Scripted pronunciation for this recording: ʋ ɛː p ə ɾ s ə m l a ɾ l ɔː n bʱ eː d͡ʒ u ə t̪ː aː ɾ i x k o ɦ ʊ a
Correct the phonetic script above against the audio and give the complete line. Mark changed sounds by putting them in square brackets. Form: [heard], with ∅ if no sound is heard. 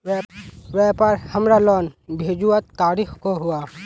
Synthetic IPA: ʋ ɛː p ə ɾ [h] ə m [ɾ] a [∅] l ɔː n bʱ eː d͡ʒ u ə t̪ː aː ɾ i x k o ɦ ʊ a